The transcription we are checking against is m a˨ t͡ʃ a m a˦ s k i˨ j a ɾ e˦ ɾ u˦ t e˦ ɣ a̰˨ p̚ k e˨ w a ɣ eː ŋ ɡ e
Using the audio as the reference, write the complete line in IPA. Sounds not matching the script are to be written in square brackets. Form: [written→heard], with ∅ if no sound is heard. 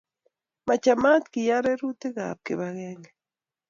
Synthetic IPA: m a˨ t͡ʃ a m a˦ [s→t] k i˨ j a ɾ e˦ ɾ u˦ t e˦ ɣ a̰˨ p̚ k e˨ [w→β] a ɣ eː ŋ ɡ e